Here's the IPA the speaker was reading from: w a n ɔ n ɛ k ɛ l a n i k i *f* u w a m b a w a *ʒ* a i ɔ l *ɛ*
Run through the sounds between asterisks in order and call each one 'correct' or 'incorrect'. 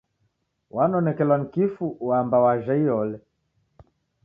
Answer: correct, correct, correct

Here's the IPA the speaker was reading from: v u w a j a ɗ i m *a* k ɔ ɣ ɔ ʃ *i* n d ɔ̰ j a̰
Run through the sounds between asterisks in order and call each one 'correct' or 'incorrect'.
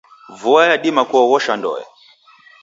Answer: correct, incorrect: a

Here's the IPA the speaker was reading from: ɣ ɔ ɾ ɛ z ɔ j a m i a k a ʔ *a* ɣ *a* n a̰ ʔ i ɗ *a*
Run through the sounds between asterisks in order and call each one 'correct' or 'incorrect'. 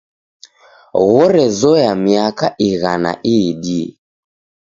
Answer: incorrect: i, correct, incorrect: i

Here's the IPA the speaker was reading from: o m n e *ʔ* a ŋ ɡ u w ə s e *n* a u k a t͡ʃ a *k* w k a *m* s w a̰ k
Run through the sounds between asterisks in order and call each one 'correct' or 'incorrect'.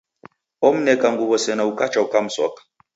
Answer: incorrect: k, correct, incorrect: none, correct

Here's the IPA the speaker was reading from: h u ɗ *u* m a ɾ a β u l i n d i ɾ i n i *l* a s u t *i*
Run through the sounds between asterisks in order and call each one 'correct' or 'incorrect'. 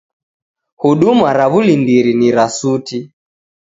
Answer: correct, incorrect: ɾ, correct

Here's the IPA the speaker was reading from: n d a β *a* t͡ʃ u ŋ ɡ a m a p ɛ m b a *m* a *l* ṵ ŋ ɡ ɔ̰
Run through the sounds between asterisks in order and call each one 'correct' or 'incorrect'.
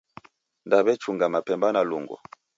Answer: incorrect: ɛ, incorrect: n, correct

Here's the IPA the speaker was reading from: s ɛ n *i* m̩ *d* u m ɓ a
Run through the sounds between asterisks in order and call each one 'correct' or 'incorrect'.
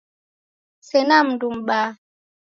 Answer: incorrect: a, correct

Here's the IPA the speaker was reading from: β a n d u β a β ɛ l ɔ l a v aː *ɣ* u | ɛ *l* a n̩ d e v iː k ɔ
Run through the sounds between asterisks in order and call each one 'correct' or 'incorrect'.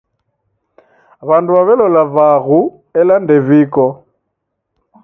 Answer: correct, correct

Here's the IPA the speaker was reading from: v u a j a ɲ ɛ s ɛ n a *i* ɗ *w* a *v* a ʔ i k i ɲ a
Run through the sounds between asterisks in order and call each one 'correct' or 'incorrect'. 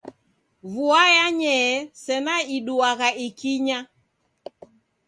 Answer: correct, incorrect: u, incorrect: ɣ

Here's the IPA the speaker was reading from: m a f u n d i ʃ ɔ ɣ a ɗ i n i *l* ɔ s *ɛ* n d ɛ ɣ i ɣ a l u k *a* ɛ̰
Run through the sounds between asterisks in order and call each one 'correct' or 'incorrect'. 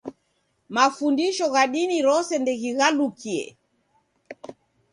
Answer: incorrect: ɾ, correct, incorrect: i

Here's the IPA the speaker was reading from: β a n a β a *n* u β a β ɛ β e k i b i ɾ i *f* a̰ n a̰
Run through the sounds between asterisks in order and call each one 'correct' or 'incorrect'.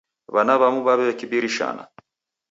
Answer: incorrect: m, incorrect: ʃ

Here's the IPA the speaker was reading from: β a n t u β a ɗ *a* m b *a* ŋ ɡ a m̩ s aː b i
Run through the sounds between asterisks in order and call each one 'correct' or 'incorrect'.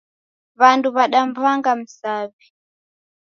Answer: correct, correct

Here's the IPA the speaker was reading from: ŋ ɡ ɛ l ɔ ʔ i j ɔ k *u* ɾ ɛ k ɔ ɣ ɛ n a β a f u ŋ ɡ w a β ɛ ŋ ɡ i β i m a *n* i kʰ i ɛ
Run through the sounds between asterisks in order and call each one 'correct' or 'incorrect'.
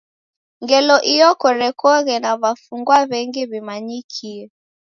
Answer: incorrect: ɔ, incorrect: ɲ

